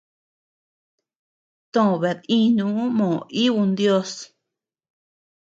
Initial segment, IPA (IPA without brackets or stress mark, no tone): t̪